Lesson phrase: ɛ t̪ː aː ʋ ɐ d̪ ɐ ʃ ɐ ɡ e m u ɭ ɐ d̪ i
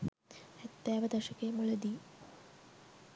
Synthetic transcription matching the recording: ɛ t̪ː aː ʋ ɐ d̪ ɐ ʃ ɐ k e m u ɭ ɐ d̪ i